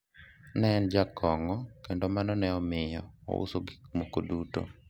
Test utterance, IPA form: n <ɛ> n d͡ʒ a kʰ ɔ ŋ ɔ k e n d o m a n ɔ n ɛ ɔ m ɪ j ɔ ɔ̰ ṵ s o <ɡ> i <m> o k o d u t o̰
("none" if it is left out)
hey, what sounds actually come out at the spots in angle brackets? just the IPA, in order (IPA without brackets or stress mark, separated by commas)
ɛ, ɡ, m